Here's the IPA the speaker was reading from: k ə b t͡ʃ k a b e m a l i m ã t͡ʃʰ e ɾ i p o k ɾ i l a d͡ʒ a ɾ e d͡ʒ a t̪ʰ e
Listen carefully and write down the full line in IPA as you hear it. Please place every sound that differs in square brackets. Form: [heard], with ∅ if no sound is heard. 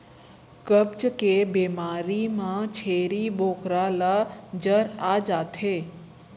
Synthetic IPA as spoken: k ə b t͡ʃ k [e] b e m a [ɾ] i m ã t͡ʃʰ e ɾ i [b] o k ɾ [a] l a d͡ʒ [ə] ɾ [a] d͡ʒ a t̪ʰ e